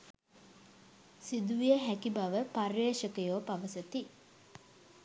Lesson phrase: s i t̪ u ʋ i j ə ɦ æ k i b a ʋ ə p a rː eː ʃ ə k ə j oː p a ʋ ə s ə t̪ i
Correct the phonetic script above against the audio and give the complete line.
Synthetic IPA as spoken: s i d̪ u ʋ i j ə ɦ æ k i b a ʋ ə p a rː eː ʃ ə k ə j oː p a ʋ ə s ə t̪ i